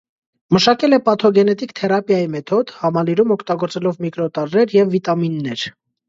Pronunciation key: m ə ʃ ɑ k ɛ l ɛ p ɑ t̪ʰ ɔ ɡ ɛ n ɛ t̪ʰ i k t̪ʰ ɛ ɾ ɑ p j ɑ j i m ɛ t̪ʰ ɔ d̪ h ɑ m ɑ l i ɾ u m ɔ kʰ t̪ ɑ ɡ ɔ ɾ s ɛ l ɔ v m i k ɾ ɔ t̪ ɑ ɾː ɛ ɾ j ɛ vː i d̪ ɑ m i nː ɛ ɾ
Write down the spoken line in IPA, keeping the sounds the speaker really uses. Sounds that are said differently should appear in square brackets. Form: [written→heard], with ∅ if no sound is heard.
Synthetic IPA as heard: m ə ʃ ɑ k ɛ l ɛ p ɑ t̪ʰ ɔ ɡ ɛ n ɛ [t̪ʰ→t̪] i k t̪ʰ ɛ ɾ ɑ p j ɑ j i m ɛ t̪ʰ ɔ d̪ h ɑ m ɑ l i ɾ u m ɔ kʰ t̪ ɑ ɡ ɔ ɾ [s→t͡s] ɛ l ɔ v m i k ɾ ɔ t̪ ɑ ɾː ɛ ɾ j ɛ vː i [d̪→t̪] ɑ m i nː ɛ ɾ